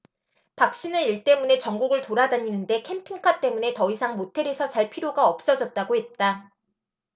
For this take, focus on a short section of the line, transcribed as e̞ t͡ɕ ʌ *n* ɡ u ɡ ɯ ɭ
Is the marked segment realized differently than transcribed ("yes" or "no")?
yes